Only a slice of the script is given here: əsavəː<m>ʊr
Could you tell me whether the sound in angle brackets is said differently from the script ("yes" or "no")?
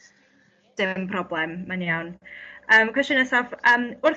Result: no